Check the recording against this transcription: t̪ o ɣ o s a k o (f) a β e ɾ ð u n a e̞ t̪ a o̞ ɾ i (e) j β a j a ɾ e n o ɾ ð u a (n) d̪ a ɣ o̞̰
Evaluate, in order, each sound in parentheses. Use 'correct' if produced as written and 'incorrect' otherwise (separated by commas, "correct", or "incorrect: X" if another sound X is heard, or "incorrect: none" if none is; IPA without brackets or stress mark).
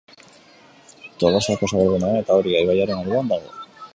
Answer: incorrect: s, incorrect: a, correct